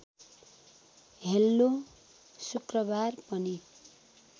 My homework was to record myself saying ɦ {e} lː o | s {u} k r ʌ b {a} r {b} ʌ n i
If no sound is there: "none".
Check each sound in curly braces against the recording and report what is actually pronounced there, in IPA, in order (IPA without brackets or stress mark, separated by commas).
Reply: e, u, a, p